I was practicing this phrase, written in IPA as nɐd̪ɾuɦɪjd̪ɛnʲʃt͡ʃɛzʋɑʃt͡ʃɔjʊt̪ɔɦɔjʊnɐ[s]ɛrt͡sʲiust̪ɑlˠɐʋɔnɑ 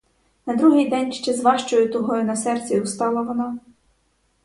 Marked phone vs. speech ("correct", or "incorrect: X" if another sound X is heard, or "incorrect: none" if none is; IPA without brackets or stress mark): correct